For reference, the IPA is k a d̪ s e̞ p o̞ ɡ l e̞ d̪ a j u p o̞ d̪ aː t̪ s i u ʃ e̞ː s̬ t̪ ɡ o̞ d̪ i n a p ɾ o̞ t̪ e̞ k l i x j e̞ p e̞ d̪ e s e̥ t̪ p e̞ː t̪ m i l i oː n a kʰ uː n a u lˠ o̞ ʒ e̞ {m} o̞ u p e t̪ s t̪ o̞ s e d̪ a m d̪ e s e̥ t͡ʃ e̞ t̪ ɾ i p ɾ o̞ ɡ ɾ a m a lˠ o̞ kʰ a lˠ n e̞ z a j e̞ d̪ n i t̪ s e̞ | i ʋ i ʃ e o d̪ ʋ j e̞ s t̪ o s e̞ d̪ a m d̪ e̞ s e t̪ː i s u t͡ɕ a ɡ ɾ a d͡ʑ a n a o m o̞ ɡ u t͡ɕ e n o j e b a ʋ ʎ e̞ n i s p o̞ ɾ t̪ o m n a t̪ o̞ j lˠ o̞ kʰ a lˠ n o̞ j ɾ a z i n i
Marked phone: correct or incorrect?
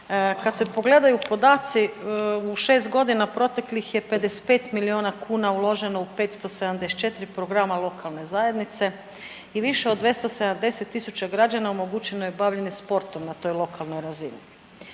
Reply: incorrect